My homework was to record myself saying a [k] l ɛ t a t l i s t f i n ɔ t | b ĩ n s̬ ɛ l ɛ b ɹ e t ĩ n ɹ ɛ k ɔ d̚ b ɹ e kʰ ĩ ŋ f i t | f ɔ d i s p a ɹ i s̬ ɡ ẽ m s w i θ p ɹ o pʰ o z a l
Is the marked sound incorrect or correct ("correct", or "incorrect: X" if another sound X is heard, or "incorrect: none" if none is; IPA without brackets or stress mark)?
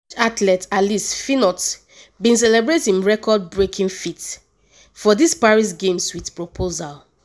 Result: incorrect: t